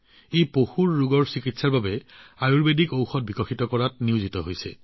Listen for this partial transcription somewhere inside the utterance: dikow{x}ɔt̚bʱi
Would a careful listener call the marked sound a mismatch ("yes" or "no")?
no